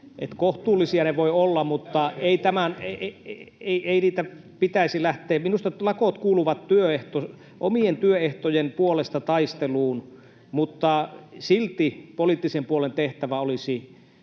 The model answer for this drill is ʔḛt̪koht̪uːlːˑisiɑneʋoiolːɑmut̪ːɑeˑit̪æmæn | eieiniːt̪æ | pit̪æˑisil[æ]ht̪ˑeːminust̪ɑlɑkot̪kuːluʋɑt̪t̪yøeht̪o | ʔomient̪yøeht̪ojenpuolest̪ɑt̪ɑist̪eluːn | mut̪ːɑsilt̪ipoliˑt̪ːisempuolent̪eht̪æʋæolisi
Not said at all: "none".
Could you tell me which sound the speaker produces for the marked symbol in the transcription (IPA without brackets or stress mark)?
æ